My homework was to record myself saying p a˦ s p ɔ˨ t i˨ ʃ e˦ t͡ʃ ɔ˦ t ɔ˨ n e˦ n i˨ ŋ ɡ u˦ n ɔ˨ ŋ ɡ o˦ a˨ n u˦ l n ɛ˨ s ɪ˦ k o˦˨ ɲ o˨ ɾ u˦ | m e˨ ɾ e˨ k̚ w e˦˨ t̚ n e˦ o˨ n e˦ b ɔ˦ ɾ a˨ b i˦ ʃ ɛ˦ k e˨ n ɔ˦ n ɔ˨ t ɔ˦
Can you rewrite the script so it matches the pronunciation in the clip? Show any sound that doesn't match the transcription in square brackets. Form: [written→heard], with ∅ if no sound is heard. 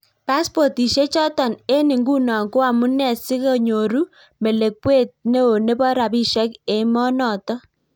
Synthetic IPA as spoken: p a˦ s p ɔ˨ t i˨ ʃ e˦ t͡ʃ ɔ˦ t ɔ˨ n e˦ n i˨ ŋ ɡ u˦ n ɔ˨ ŋ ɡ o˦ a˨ [n→m] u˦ [l→∅] n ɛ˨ s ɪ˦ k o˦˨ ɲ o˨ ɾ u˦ | m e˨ [ɾ→l] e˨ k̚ w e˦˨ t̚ n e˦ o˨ n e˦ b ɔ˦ ɾ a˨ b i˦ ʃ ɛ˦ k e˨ [n→m] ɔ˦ n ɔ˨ t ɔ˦